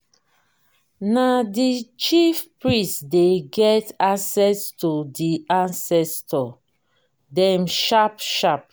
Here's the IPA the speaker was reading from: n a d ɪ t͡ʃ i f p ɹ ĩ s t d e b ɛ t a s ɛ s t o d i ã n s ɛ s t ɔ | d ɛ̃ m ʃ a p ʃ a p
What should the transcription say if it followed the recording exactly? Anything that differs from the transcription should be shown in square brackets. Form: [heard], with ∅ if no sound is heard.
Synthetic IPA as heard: n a d [i] t͡ʃ i f p ɹ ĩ s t d e [ɡ] ɛ t a s ɛ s t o d i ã n s ɛ s t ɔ | d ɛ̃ m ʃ a p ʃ a p